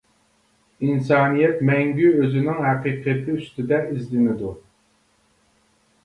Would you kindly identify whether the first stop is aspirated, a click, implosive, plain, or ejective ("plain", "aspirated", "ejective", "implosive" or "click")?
plain